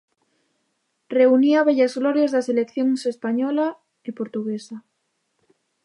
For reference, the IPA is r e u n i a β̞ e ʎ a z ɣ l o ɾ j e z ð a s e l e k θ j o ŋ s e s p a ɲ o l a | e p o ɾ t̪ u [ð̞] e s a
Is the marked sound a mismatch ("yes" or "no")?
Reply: yes